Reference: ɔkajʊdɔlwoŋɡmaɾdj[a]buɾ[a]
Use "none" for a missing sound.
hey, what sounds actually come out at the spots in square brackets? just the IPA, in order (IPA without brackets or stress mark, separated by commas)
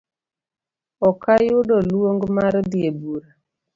e, a